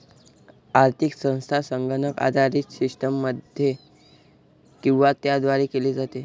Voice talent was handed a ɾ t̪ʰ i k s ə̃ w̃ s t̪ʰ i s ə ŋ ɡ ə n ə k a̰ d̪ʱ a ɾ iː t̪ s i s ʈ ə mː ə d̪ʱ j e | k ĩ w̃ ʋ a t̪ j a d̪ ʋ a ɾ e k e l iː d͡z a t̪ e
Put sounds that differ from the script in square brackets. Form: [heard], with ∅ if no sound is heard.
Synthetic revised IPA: a ɾ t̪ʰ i k s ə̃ w̃ s t̪ʰ [a] s ə ŋ ɡ ə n ə k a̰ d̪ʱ a ɾ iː t̪ s i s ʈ ə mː ə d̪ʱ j e | k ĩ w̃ ʋ a t̪ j a d̪ ʋ a ɾ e k e l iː d͡z a t̪ e